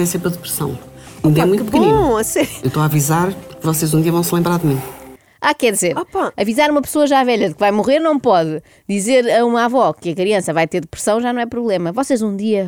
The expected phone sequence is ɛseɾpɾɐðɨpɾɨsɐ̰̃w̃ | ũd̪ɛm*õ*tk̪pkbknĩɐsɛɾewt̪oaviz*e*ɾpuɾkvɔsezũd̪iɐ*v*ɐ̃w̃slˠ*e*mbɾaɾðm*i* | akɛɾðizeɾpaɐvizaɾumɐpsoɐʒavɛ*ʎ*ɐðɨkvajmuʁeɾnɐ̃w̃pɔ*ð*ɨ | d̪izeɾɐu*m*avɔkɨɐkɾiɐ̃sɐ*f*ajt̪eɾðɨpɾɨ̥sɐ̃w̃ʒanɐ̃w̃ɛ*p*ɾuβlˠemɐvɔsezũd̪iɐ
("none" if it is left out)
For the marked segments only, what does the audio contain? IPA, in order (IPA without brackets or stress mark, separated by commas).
ũ, a, v, ẽ, ĩ, ʎ, ð, m, v, p